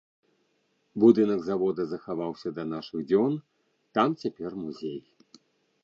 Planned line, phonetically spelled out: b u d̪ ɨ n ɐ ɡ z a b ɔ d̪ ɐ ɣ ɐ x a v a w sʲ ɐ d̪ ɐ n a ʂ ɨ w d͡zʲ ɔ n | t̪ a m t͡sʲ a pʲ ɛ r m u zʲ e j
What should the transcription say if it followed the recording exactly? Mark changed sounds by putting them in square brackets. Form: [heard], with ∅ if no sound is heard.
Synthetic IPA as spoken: b u d̪ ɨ n ɐ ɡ z a [v] ɔ d̪ ɐ [z] ɐ x a v a w sʲ ɐ d̪ ɐ n a ʂ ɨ [ɣ] d͡zʲ ɔ n | t̪ a m t͡sʲ a pʲ ɛ r m u zʲ e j